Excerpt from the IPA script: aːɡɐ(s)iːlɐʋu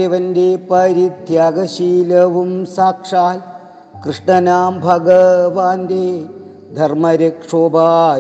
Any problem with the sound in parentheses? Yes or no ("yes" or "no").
yes